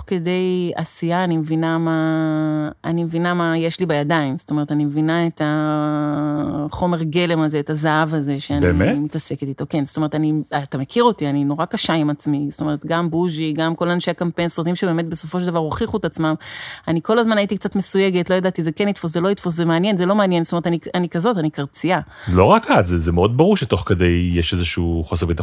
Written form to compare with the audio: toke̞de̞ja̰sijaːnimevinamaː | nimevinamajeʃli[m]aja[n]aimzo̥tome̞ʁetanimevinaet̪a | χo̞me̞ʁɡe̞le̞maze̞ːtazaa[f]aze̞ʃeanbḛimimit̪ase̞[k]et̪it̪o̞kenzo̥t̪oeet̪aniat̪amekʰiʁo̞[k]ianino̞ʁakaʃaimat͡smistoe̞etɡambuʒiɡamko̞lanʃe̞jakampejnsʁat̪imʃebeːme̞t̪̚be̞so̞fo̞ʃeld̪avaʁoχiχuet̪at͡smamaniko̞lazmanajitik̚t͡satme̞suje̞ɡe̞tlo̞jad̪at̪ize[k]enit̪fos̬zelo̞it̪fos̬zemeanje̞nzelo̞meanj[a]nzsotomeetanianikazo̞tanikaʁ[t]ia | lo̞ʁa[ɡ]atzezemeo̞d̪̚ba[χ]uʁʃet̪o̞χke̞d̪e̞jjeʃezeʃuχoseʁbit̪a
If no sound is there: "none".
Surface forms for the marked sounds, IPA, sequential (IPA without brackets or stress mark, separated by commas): b, d, v, k, t, k, e, t͡s, k, ʁ